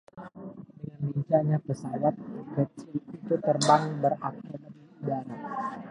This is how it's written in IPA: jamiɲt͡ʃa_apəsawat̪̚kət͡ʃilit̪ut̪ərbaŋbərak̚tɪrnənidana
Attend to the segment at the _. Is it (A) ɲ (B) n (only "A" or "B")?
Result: A